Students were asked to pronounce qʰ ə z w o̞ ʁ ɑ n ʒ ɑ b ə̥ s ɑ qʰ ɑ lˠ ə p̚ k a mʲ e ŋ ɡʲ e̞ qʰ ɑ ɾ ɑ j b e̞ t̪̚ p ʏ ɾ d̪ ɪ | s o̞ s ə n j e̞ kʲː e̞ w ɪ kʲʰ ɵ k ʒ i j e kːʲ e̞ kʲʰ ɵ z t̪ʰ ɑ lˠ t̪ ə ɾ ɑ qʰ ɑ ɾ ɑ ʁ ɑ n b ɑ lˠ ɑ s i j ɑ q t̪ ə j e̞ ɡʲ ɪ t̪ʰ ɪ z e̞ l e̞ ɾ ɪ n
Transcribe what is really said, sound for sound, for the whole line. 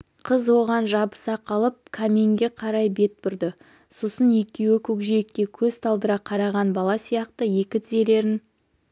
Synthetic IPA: qʰ ə z w o̞ ʁ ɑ n ʒ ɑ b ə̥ s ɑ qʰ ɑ lˠ ə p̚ kʰ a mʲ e ŋ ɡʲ e̞ qʰ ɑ ɾ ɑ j b e̞ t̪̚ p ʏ ɾ d̪ ɪ | s o̞ s ə n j e̞ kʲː e̞ w ɪ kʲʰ ɵ k ʒ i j e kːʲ e̞ kʲʰ ɵ z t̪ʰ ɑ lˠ d̪ ə ɾ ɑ qʰ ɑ ɾ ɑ ʁ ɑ n b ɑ lˠ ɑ s i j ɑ q t̪ ə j e̞ kʲ ɪ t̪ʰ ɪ z e̞ l e̞ ɾ ɪ n

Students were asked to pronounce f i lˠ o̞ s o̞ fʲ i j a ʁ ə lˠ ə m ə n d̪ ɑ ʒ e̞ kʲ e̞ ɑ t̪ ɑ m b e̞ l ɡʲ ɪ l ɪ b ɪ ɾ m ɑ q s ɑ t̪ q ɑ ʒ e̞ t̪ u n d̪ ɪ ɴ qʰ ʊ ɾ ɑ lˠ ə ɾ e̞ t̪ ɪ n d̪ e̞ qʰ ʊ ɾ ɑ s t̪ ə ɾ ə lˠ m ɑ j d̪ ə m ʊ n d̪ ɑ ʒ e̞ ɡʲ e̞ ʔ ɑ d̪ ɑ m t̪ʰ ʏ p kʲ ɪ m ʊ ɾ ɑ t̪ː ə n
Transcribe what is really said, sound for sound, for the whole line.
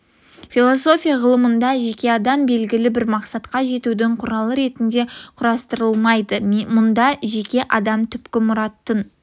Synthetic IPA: f i lˠ o̞ s o̞ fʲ i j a ʁ ə lˠ ə m ə n d̪ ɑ ʒ e̞ kʲ e̞ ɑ d̪ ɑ m b e̞ l ɡʲ ɪ l ɪ b ɪ ɾ m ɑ q s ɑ t̪ q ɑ ʒ e̞ t̪ u d̪ ɪ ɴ qʰ ʊ ɾ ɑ lˠ ə ɾ e̞ t̪ ɪ n d̪ e̞ qʰ ʊ ɾ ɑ s t̪ ə ɾ ə lˠ m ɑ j d̪ ə m ʊ n d̪ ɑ ʒ e̞ kʲ e̞ ʔ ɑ d̪ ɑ m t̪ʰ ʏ p kʲ ɪ m ʊ ɾ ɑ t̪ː ə n

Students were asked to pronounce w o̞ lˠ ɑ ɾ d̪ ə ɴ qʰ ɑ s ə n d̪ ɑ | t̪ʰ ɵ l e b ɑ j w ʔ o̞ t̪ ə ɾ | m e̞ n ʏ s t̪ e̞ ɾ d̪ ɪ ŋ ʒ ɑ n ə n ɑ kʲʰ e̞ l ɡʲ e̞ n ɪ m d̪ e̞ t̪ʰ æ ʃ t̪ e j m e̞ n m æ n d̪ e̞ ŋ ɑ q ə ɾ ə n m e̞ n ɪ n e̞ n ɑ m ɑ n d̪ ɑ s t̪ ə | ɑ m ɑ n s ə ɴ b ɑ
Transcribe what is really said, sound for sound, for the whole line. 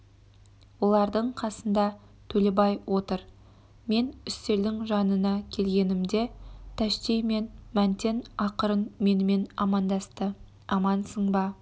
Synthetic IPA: w o̞ lˠ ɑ ɾ d̪ ə ɴ qʰ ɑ s ə n d̪ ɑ | t̪ʰ ɵ l e b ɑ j w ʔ o̞ t̪ ə ɾ | m e̞ n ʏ s t̪ e̞ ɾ d̪ ɪ ŋ ʒ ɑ n ə n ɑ kʲʰ e̞ l ɡʲ e̞ n ɪ m d̪ e̞ t̪ʰ æ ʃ t̪ e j m e̞ n m æ n t̪ e̞ n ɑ q ə ɾ ə n m e̞ n ɪ m e̞ n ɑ m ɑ n d̪ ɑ s t̪ ə | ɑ m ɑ n s ə ɴ b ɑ

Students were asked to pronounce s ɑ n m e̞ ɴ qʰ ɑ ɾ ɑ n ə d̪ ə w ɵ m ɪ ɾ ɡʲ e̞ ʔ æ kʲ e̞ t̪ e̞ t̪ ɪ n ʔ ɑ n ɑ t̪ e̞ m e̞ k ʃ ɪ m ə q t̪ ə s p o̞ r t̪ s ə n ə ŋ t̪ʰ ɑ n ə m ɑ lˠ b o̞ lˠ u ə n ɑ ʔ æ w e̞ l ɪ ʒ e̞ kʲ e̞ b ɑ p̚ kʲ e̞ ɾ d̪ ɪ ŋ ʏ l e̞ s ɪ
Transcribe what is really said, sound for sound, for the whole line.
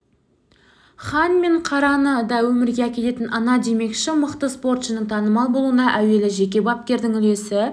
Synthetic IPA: χ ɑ n m e̞ ɴ qʰ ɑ ɾ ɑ n ə d̪ ɑ w ɵ m ɪ ɾ ɡʲ e̞ æ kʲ e̞ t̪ e̞ t̪ ɪ n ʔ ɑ n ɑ d̪ e̞ m e̞ k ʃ ɪ m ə q t̪ ə s p o̞ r t̪ ʃ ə n ə ŋ t̪ʰ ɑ n ə m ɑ lˠ b o̞ lˠ u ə n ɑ ʔ æ w e̞ l ɪ ʒ e̞ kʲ e̞ b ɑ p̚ kʲ e̞ ɾ d̪ ɪ ŋ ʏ l e̞ s ɪ

